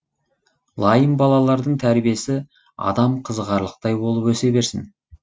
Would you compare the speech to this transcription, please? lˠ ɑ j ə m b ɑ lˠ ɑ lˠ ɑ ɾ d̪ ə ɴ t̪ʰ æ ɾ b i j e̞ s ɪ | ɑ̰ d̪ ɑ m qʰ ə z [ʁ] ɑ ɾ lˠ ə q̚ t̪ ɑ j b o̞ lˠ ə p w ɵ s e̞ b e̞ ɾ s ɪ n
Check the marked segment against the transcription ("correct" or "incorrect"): correct